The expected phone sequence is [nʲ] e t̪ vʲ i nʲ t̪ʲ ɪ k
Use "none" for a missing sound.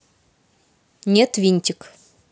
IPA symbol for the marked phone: nʲ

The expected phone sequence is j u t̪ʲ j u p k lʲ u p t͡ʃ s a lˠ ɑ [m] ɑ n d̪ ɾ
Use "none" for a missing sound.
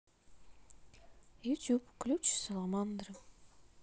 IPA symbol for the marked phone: m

